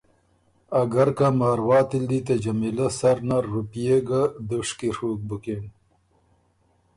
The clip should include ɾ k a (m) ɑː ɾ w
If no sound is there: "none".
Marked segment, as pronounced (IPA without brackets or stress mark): m